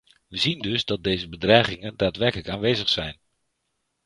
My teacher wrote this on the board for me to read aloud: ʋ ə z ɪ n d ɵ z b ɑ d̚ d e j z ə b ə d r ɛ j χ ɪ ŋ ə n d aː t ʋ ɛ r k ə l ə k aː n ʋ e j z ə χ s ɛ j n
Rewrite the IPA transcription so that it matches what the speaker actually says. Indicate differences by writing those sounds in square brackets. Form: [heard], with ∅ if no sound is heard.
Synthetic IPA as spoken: ʋ ə z [i] n d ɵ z [d] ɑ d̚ d e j z ə b ə d r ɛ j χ ɪ ŋ ə n d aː t ʋ ɛ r k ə l ə k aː n ʋ e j z ə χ s ɛ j n